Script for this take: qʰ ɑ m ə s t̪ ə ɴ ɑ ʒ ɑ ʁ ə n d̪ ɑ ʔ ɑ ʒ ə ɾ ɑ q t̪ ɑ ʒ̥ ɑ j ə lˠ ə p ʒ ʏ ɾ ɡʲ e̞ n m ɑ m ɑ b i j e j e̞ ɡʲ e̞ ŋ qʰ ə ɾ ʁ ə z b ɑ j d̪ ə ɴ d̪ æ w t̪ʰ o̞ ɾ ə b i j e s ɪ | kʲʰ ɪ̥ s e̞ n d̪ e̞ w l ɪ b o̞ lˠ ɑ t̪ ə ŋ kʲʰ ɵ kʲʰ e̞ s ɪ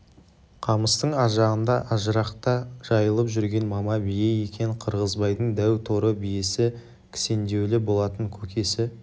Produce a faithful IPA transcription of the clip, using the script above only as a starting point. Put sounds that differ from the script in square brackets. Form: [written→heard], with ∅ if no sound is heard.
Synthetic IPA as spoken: qʰ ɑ m ə s t̪ ə ɴ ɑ ʒ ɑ ʁ ə n d̪ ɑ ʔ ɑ ʒ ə ɾ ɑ q t̪ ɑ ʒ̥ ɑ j ə lˠ ə p ʒ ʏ ɾ ɡʲ e̞ n m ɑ m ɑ b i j e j e̞ [ɡʲ→kʲ] e̞ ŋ qʰ ə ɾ ʁ ə z b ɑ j d̪ ə ɴ d̪ æ w t̪ʰ o̞ ɾ ə b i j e s ɪ | kʲʰ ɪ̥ s e̞ n d̪ e̞ w l ɪ b o̞ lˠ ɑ t̪ ə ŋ kʲʰ ɵ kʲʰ e̞ s ɪ